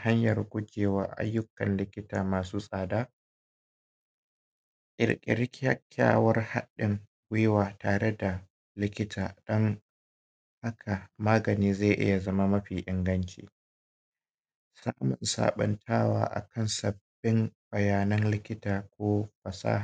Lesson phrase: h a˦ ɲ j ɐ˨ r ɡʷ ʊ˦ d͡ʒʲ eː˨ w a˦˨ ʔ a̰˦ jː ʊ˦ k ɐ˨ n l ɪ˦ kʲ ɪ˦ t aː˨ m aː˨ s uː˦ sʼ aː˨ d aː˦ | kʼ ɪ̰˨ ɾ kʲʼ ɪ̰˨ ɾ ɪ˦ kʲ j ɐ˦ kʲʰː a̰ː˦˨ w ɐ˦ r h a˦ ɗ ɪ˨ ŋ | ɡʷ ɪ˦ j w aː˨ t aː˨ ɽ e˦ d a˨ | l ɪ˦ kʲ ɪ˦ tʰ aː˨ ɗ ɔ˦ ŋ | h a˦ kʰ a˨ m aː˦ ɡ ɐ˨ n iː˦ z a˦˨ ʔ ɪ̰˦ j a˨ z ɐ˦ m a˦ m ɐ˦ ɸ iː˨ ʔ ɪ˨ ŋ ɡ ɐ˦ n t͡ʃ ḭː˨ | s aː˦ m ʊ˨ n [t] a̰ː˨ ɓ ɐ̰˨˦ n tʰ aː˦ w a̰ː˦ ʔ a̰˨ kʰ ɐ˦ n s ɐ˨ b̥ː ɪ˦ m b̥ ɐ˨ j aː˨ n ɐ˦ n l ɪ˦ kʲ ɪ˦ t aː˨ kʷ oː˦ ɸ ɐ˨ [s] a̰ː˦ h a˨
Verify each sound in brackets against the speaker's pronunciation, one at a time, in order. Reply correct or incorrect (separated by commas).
incorrect, correct